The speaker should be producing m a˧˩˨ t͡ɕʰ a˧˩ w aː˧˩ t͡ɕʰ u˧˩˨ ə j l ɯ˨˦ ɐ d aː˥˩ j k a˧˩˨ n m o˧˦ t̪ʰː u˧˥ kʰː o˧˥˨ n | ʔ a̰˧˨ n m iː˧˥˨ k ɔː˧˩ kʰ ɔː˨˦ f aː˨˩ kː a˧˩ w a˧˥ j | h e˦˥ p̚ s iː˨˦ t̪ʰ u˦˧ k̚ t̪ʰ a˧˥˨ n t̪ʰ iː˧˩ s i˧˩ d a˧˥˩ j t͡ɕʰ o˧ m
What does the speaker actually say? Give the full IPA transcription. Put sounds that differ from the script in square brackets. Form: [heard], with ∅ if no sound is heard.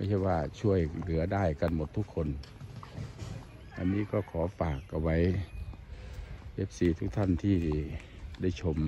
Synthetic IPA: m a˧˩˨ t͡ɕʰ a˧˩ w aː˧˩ t͡ɕʰ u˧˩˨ ə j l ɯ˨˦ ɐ d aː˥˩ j k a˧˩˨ n m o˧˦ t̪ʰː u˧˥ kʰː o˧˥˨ n | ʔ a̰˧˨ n m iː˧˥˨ k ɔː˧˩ kʰ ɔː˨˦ f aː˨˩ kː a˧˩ w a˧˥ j | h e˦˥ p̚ s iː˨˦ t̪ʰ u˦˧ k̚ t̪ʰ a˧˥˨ n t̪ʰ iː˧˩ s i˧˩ d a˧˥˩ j t͡ɕʰ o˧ m

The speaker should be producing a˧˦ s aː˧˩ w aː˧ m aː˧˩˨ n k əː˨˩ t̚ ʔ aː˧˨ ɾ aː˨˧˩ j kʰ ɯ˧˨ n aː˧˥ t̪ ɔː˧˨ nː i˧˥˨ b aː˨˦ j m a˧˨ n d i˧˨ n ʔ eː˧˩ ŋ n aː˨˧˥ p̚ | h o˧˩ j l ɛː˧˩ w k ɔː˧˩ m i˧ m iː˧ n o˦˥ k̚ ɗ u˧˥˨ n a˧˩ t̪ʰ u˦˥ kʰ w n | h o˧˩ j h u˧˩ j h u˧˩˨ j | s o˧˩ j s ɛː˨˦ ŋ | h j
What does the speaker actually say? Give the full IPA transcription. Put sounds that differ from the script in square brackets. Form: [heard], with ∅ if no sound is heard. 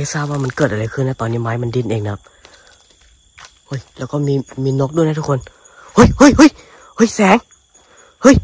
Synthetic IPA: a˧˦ s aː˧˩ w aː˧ m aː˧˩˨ n k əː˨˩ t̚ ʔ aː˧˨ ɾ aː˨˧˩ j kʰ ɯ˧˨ n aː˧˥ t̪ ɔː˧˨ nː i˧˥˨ [m] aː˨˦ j m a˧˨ n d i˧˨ n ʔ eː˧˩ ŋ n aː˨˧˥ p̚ | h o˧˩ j l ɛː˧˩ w k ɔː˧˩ m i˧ m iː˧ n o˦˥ k̚ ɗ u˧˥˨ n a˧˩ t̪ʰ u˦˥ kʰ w n | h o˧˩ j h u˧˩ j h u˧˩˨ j | [h] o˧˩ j s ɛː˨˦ ŋ | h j

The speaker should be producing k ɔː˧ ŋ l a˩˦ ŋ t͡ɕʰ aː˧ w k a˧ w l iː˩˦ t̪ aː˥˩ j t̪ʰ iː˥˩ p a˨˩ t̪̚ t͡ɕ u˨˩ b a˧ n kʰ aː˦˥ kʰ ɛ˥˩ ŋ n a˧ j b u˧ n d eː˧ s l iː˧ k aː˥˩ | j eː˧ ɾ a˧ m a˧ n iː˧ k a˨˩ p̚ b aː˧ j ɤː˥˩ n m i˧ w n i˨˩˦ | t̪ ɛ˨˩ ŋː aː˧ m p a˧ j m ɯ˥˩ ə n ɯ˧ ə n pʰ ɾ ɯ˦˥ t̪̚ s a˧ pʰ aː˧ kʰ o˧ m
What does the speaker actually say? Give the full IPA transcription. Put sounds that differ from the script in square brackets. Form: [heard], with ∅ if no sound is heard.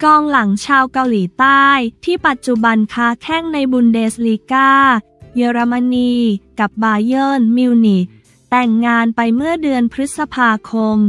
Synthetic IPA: k ɔː˧ ŋ l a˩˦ ŋ t͡ɕʰ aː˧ w k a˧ w l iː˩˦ t̪ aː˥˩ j t̪ʰ iː˥˩ p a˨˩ t̪̚ t͡ɕ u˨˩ b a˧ n kʰ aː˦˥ kʰ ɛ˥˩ ŋ n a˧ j b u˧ n d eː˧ s l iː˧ k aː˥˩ | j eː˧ ɾ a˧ m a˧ n iː˧ k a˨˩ p̚ b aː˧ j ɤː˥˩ n m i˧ w n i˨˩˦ | t̪ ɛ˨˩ ŋː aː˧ [n] p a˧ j m ɯ˥˩ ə [d] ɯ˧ ə n pʰ ɾ ɯ˦˥ t̪̚ s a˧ pʰ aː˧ kʰ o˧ m

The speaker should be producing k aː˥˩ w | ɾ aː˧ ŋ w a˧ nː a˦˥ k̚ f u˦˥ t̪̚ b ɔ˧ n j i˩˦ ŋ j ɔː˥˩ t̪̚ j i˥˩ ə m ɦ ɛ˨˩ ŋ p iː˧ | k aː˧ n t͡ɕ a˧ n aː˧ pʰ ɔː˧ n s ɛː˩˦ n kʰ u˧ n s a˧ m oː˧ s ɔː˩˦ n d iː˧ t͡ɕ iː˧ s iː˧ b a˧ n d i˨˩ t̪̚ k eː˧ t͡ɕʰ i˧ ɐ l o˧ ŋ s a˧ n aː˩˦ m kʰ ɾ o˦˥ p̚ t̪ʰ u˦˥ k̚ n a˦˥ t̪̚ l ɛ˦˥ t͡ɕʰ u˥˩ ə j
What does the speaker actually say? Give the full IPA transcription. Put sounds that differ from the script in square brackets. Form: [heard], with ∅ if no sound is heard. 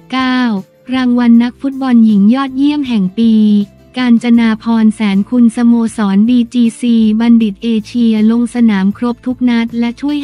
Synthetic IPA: k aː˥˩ w | ɾ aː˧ ŋ w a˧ nː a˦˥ k̚ f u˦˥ t̪̚ b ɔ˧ n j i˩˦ ŋ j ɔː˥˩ t̪̚ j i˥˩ ə m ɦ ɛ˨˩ ŋ p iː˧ | k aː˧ n t͡ɕ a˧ n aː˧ pʰ ɔː˧ n s ɛː˩˦ n kʰ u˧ n s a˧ m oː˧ s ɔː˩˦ n d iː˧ t͡ɕ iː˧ s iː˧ b a˧ n d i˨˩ t̪̚ [ʔ] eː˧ t͡ɕʰ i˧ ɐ l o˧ ŋ s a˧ n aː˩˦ m kʰ ɾ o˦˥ p̚ t̪ʰ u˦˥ k̚ n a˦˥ t̪̚ l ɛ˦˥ t͡ɕʰ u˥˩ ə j

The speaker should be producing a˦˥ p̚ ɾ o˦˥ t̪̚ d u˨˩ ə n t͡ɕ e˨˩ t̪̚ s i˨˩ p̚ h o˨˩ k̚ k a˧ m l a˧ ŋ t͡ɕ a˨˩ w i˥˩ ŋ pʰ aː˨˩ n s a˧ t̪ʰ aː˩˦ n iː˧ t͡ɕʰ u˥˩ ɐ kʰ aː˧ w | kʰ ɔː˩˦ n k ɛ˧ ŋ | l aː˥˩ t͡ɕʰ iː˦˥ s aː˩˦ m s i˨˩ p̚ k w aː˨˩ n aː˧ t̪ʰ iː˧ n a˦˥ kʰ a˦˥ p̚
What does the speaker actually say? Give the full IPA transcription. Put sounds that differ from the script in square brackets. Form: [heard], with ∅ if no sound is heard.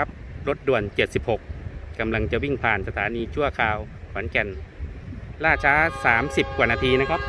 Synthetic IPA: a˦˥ p̚ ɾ o˦˥ t̪̚ d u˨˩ ə n t͡ɕ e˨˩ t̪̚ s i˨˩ p̚ h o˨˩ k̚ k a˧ m l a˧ ŋ t͡ɕ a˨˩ w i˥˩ ŋ pʰ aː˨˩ n s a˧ t̪ʰ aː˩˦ n iː˧ t͡ɕʰ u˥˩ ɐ kʰ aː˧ w | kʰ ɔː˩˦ n k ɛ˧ [n] | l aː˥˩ t͡ɕʰ [aː˦˥] s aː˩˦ m s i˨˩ p̚ k w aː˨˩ n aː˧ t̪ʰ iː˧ n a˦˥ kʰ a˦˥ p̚

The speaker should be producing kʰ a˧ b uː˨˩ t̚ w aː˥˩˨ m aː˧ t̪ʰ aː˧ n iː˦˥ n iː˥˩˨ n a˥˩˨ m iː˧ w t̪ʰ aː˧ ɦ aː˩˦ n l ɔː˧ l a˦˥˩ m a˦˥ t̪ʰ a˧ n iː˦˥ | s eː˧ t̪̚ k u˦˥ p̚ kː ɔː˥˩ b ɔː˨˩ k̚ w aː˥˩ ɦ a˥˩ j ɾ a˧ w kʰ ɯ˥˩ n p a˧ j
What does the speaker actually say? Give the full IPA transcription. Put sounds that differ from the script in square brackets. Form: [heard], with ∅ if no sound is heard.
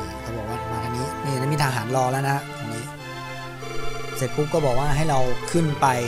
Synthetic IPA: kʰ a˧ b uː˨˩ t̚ w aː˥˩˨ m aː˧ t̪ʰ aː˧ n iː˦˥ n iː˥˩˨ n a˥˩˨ m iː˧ [∅] t̪ʰ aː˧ ɦ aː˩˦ n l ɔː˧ l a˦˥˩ [n] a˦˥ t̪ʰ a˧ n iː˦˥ | s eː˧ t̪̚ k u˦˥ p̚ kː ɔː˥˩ b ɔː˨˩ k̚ w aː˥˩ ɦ a˥˩ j ɾ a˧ w kʰ ɯ˥˩ n p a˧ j

